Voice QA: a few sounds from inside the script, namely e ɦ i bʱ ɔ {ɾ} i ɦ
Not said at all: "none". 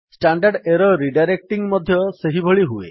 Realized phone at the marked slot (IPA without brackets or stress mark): ɭ